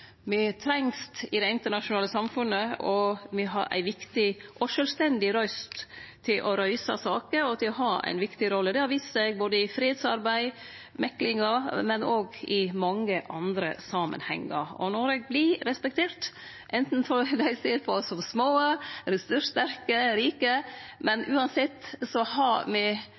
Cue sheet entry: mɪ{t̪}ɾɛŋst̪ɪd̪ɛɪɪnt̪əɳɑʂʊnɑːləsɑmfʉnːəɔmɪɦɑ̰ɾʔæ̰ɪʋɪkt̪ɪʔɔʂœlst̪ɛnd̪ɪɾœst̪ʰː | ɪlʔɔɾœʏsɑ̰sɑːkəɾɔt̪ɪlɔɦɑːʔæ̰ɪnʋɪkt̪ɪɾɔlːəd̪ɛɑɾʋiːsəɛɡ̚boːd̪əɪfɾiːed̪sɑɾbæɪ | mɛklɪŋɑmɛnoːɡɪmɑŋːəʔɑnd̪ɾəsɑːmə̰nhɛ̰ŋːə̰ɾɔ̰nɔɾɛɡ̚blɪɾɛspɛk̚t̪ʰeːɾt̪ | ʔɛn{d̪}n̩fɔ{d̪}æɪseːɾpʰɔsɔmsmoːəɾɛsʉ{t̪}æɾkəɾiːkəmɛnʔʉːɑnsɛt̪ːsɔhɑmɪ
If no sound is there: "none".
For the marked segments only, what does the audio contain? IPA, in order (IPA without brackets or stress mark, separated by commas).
t̪ʰ, t̪, d̪, t̪